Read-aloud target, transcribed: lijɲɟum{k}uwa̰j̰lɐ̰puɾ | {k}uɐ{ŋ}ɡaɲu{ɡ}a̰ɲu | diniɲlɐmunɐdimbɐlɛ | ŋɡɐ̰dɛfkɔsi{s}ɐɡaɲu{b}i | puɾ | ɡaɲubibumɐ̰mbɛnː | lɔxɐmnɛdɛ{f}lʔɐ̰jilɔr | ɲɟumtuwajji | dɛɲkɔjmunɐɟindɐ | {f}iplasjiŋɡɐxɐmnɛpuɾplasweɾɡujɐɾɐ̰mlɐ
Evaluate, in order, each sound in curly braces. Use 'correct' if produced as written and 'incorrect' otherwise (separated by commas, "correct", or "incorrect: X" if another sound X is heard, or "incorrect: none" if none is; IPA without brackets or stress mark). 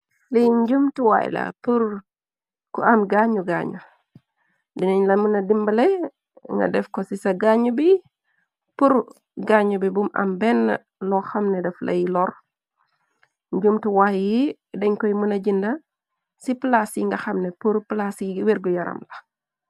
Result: incorrect: t, correct, incorrect: m, correct, correct, correct, correct, incorrect: s